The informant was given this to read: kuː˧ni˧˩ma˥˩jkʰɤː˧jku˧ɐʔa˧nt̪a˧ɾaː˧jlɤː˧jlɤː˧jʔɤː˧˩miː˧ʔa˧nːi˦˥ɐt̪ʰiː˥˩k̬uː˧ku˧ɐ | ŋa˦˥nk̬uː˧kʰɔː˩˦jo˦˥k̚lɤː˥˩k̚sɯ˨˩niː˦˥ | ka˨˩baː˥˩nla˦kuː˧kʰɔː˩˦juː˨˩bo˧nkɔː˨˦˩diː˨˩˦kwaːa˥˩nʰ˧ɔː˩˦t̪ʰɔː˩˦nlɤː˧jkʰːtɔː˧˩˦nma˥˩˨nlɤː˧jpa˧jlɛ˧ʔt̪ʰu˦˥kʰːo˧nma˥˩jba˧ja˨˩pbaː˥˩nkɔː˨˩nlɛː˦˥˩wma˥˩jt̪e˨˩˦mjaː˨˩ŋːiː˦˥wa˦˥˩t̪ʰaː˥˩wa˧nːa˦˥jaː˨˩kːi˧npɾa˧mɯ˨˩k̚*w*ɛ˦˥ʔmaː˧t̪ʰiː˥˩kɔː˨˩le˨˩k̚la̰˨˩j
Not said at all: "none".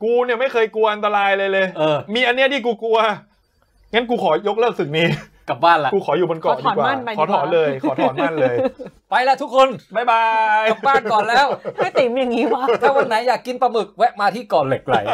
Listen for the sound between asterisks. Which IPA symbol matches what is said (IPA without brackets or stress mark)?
w